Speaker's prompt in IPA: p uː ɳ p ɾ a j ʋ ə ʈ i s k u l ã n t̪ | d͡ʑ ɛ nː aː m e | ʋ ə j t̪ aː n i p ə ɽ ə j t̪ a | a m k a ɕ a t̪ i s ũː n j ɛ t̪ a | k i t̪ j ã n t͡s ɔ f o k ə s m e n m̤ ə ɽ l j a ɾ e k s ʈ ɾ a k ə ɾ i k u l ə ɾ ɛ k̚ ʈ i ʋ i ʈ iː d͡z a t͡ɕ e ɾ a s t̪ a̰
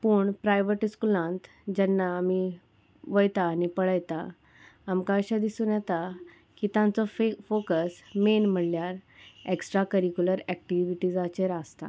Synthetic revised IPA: p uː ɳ p ɾ a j ʋ ə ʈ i s k u l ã n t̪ | d͡ʑ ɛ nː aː m i | ʋ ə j t̪ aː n i p ə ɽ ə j t̪ a | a m k a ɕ a d̪ i s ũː n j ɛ t̪ a | k i t̪ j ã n t͡s ɔ f o k ə s m e n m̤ ə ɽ l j a ɾ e k s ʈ ɾ a k ə ɾ i k u l ə ɾ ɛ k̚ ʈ i ʋ i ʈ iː d͡z a t͡ɕ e ɾ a s t̪ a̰

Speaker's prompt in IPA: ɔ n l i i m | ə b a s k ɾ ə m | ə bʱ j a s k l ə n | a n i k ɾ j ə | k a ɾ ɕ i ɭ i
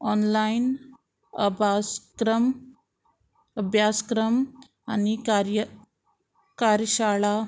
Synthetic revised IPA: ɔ n l a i n | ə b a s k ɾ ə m | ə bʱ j a s k ɾ ə m | a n i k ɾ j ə | k a ɾ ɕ a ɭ a

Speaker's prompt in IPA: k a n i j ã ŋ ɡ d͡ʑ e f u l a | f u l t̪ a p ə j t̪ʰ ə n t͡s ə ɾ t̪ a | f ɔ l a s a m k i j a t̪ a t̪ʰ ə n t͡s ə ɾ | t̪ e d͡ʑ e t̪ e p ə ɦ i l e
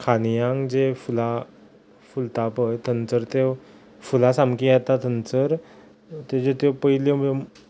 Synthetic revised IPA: kʰ a n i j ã ŋ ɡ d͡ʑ e f u l a | f u l t̪ a p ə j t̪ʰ ə n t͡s ə ɾ t̪ e | f u l a s a m k i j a t̪ a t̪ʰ ə n t͡s ə ɾ | t̪ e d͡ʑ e t̪ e p ə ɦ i l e

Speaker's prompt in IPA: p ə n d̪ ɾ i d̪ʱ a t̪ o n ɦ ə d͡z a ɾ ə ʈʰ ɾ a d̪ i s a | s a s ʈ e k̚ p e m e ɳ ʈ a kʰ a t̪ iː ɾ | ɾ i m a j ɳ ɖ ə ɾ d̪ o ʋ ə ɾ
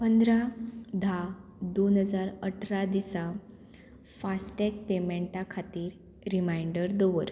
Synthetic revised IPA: p ə n d̪ ɾ a d̪ʱ a d̪ o n ɦ ə d͡z a ɾ ə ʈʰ ɾ a d̪ i s a | f a s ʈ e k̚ p e m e ɳ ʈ a kʰ a t̪ iː ɾ | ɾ i m a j ɳ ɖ ə ɾ d̪ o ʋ ə ɾ

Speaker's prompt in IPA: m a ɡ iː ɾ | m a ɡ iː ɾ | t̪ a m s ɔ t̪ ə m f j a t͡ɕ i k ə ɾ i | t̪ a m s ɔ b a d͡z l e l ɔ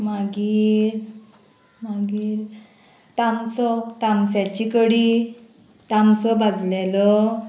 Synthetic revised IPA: m a ɡ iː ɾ | m a ɡ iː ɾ | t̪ a m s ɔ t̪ a m s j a t͡ɕ i k ə ɽ i | t̪ a m s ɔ b a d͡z l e l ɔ

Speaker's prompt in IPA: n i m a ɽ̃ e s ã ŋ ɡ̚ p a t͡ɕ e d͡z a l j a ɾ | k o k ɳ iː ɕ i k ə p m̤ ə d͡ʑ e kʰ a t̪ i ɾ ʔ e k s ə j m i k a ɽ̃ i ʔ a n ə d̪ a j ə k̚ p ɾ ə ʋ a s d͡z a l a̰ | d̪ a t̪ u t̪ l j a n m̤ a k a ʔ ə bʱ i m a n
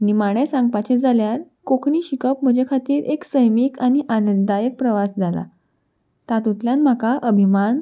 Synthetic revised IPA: n i m a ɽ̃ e s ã ŋ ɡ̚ p a t͡ɕ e d͡z a l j a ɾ | k o k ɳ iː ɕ i k ə p m̤ ə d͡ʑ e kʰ a t̪ iː ɾ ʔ e k s ə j m i k a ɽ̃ i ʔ a n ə d̪ a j ə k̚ p ɾ ə ʋ a s d͡z a l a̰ | t̪ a t̪ u t̪ l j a n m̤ a k a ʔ ə bʱ i m a n

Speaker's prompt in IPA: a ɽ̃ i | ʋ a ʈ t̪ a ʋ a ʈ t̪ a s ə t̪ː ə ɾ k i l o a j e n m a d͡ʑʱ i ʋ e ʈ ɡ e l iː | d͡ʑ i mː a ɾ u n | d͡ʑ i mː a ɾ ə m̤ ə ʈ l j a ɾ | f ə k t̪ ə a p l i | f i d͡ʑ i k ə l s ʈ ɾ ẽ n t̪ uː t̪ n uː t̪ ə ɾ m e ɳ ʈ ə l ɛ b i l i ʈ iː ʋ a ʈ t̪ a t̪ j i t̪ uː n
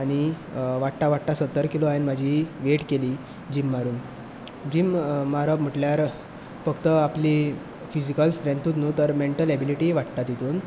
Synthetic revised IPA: a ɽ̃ i | ʋ a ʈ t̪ a ʋ a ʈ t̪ a s ə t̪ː ə ɾ k i l o a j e n m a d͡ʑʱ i ʋ e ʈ k e l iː | d͡ʑ i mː a ɾ uː n | d͡ʑ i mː a ɾ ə m̤ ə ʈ l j a ɾ | f ə k t̪ ə a p l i | f i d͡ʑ i k ə l s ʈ ɾ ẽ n t̪ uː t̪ n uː t̪ ə ɾ m e ɳ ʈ ə l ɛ b i l i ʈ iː ʋ a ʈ t̪ a t̪ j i t̪ uː n

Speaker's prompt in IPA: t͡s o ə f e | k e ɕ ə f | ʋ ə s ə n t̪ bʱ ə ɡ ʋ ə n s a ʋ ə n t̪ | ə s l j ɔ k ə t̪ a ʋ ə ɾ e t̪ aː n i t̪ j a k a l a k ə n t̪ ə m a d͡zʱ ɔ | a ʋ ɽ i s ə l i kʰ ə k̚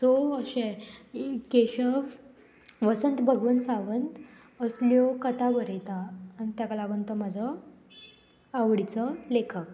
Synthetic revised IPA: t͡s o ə ɕ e | k e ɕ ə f | ʋ ə s ə n t̪ bʱ ə ɡ ʋ ə n s a ʋ ə n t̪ | ə s l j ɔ k ə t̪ a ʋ ə ɾ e t̪ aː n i t̪ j a k a l a ɡ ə n t̪ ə m a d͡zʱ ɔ | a ʋ ɽ i t͡s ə l e kʰ ə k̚

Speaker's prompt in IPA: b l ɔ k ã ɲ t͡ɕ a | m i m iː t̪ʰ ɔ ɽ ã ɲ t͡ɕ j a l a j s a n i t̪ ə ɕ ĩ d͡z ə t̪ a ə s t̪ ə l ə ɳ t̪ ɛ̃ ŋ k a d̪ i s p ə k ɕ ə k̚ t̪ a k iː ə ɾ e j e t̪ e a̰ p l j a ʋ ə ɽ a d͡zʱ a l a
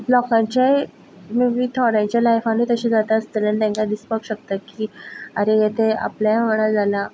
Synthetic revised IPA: b l ɔ k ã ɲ t͡ɕ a | m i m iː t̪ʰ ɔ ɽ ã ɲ t͡ɕ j a l a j f a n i t̪ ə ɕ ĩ d͡z a t̪ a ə s t̪ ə l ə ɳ t̪ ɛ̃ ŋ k a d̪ i s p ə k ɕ ə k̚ t̪ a k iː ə ɾ e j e t̪ e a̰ p l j a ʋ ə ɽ a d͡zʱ a l a

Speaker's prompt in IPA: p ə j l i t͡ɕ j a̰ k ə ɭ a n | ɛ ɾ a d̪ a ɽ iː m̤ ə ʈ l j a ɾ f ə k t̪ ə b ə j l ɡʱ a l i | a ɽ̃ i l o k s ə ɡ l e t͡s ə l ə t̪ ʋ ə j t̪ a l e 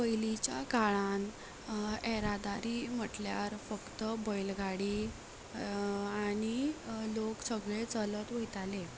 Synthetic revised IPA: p ə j l i t͡ɕ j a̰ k a ɭ a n | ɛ ɾ a d̪ a ɾ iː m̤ ə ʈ l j a ɾ f ə k t̪ ə b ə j l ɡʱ a ɽ i | a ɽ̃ i l o k s ə ɡ ɭ e t͡s ə l ə t̪ ʋ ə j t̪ a l e

